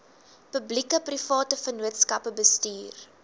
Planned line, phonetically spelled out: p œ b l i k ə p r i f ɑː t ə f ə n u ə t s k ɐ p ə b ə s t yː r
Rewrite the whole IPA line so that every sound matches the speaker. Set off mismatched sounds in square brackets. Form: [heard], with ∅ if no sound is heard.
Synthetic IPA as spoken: p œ b l i k ə p r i f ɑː t ə f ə n u ə t s k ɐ p ə b ə s t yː r